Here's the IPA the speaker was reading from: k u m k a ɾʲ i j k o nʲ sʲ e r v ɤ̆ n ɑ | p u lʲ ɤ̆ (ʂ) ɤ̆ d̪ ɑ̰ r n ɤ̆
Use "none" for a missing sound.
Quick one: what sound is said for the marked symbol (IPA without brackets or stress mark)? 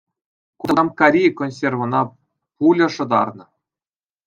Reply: ʂ